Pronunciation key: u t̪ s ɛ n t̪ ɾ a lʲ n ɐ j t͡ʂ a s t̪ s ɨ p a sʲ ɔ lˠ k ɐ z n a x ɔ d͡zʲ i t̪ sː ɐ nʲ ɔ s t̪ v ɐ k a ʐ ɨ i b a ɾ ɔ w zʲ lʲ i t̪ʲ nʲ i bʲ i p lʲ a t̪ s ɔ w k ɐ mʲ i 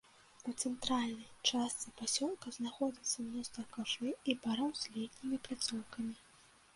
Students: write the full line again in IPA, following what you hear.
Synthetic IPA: u t̪ s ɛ n t̪ ɾ a lʲ n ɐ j t͡ʂ a s t̪ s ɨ p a sʲ ɔ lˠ k ɐ z n a x ɔ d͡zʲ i t̪ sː ɐ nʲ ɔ s t̪ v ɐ k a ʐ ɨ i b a ɾ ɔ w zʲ lʲ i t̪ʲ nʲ i mʲ i p lʲ a t̪ s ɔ w k ɐ mʲ i